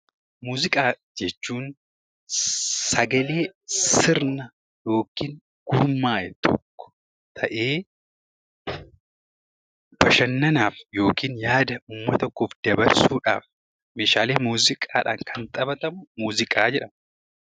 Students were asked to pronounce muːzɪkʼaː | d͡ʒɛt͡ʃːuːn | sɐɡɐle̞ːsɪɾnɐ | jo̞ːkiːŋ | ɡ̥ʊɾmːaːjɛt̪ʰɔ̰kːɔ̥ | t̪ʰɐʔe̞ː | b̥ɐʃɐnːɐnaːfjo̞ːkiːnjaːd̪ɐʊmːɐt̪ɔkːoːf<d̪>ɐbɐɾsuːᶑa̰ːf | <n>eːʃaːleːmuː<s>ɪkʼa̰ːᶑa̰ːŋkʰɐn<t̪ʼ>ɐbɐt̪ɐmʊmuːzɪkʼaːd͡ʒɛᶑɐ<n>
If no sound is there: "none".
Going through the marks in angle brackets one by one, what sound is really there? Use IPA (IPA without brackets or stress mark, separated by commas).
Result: d̪, m, z, t̪ʼ, m